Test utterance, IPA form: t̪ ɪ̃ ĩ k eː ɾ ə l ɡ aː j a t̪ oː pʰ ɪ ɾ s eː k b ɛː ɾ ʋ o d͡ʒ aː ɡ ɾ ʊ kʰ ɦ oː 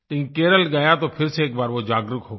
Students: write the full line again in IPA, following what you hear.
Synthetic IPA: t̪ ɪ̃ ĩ k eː ɾ ə l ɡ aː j a t̪ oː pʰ ɪ ɾ s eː k b aː ɾ ʋ o d͡ʒ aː ɡ ɾ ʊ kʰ ɦ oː

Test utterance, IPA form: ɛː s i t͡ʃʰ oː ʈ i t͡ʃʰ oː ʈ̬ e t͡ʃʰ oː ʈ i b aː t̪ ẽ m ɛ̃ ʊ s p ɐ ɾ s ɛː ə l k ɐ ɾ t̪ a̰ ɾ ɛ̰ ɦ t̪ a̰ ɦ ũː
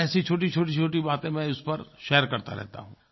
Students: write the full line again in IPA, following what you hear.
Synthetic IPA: ɛː s i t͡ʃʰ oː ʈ i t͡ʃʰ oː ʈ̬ i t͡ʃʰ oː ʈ i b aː t̪ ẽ m ɛ̃ ʊ s p ɐ ɾ ʃ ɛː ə ɾ k ɐ ɾ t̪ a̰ ɾ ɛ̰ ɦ t̪ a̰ ɦ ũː

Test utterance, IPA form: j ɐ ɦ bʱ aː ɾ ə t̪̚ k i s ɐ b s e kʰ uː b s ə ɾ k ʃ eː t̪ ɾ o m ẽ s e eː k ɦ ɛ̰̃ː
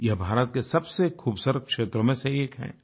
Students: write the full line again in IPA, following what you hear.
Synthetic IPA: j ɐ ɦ bʱ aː ɾ ə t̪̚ k e s ɐ b s e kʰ uː b s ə ɾ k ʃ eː t̪ ɾ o m ẽ s e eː k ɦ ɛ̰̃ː

